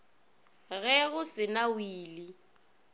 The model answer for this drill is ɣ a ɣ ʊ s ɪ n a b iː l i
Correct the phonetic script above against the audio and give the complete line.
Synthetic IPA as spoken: ɣ ɛ ɣ ʊ s ɪ n a w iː l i

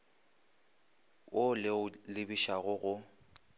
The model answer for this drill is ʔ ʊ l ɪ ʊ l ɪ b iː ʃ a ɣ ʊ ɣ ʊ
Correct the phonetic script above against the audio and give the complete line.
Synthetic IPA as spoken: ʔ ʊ l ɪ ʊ l ɪ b i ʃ a ɣ ʊ ɣ ʊ

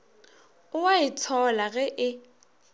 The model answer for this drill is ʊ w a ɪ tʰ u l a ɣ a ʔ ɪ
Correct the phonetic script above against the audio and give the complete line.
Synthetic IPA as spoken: ʊ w a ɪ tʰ ɔ l a ɣ ɛ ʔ ɪ

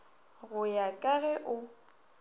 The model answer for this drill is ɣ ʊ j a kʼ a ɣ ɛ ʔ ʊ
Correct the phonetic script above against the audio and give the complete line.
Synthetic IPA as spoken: ɣ ʊ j a kʼ a ɣ ɛ ʔ ʊ

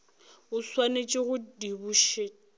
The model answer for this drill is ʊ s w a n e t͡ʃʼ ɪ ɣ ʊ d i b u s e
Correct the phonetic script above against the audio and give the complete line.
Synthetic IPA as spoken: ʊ s w a n e t͡ʃʼ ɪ ɣ ʊ d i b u ʃ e

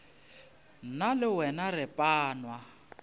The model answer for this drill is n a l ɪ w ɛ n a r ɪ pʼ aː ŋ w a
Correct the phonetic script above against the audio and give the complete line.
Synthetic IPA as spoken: n a l ɪ w ɛ n a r ɪ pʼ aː n w a

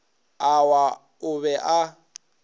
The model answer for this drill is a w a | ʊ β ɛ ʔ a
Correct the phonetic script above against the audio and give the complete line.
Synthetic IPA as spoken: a w a | ʊ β ɛ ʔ a

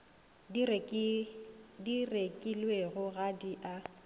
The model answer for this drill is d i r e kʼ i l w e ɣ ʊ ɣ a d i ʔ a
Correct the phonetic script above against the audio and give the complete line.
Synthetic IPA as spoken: d i r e kʼ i l w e ɣ ʊ ɣ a d i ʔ a

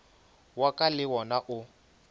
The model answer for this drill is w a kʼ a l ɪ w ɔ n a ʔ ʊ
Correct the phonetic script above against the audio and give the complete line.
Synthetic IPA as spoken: w a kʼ a l ɪ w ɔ n a ʔ ʊ

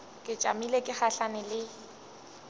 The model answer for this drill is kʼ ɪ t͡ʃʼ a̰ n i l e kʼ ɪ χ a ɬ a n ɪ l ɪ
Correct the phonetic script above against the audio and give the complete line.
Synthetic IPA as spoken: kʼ ɪ t͡ʃʼ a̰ m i l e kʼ ɪ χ a ɬ a n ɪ l ɪ

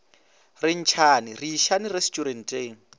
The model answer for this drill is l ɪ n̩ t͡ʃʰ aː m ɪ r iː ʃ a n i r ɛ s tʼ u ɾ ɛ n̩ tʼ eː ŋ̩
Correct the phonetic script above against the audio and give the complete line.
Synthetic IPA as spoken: r ɪ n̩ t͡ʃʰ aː n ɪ r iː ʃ a n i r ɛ s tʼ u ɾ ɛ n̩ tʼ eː ŋ̩

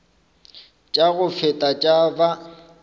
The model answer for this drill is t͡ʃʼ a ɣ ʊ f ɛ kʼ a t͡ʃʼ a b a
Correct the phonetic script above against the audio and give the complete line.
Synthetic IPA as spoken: t͡ʃʼ a ɣ ʊ f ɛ tʼ a t͡ʃʼ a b a

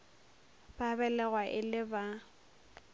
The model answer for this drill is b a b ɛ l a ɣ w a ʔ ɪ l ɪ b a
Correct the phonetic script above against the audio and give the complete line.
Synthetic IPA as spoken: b a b ɛ l ɛ ɣ w a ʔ ɪ l ɪ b a

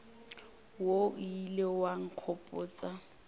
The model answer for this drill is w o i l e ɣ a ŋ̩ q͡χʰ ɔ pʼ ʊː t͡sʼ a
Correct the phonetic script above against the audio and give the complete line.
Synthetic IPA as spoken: w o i l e w a ŋ̩ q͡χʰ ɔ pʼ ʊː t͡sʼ a

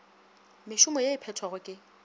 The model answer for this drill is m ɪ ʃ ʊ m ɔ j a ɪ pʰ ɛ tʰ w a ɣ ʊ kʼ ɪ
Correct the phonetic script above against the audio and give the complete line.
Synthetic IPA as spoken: m ɪ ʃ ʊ m ɔ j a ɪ pʰ ɛ tʰ w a ɣ ʊ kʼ ɪ

